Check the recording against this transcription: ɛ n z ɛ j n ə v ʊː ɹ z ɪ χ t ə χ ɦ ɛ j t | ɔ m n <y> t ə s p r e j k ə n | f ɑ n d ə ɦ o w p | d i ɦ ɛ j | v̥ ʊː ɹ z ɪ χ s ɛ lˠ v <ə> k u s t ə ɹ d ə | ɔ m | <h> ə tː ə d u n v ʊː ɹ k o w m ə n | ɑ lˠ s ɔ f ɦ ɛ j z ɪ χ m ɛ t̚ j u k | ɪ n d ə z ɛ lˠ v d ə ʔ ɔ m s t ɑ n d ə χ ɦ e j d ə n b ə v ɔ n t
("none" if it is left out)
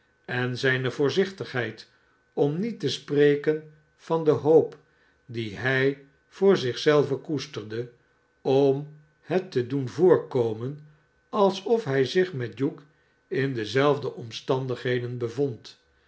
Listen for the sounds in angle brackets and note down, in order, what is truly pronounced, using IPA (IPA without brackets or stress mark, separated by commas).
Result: i, ə, h